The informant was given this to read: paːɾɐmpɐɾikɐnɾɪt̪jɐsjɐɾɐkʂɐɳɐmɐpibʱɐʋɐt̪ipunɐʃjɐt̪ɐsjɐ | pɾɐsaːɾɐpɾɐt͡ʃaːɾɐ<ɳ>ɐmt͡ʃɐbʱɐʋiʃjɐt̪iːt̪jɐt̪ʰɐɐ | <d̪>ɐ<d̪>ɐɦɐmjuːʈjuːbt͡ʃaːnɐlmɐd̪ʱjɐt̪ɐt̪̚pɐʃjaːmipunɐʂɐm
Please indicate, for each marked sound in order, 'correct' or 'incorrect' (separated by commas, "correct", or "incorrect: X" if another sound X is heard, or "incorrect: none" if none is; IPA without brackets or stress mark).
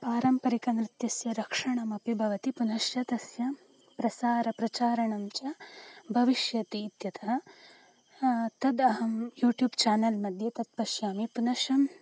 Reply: correct, incorrect: t̪, correct